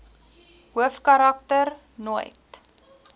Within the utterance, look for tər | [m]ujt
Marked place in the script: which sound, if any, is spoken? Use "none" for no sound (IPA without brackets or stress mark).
n